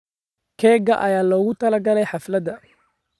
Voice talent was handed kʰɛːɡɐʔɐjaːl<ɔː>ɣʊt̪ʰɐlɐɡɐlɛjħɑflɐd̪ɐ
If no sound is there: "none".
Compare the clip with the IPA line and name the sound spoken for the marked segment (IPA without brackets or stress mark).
ɔː